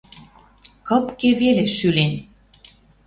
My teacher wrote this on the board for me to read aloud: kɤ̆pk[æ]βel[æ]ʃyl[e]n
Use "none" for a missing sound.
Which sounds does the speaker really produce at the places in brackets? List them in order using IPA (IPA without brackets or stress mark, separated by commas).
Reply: e, e, e